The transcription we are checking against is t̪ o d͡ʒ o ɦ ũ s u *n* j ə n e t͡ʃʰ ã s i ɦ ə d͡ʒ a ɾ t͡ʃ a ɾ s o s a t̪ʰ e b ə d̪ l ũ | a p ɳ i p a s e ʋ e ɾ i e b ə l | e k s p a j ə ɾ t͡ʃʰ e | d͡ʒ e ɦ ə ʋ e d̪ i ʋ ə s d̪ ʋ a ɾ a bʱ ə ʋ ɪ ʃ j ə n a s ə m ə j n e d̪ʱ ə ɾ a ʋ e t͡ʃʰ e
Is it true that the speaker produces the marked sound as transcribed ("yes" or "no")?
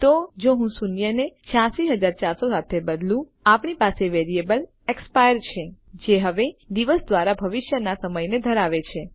yes